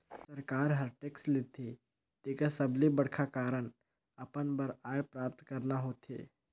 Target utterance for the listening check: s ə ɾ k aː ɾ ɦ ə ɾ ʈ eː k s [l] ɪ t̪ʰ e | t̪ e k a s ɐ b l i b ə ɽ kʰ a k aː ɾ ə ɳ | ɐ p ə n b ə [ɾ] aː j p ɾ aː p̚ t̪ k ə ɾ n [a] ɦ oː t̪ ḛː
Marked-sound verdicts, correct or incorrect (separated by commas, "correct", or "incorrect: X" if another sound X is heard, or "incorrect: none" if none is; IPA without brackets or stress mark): correct, correct, correct